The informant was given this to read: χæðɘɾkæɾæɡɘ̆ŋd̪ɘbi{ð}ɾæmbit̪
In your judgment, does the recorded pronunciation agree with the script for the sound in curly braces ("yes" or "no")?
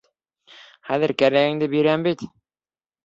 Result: no